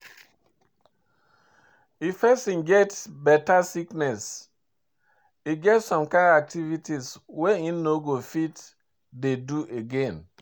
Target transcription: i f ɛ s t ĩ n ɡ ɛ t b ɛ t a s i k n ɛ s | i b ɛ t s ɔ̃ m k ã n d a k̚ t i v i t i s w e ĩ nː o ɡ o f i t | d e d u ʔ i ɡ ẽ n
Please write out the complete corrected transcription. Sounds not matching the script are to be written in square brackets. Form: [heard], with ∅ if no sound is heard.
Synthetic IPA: i f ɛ s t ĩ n ɡ ɛ t b ɛ t a s i k n ɛ s | i [ɡ] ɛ t s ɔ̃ m k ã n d a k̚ t i v i t i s w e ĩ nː o ɡ o f i t | d e d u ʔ [e] ɡ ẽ n